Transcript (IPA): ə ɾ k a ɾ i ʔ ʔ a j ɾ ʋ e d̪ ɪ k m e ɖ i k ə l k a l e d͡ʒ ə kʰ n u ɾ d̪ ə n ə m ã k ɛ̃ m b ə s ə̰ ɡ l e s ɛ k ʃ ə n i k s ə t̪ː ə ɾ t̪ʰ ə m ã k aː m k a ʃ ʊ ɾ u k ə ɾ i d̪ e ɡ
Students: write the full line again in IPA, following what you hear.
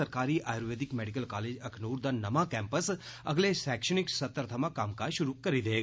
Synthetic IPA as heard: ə ɾ k a ɾ i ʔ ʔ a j ɾ ʋ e d̪ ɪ k m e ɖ i k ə l k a l e d͡ʒ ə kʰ n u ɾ d̪ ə n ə m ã k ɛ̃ m p ə s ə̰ ɡ l e s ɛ k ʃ ə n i k s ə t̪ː ə ɾ t̪ʰ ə m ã k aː m k a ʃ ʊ ɾ u k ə ɾ i d̪ e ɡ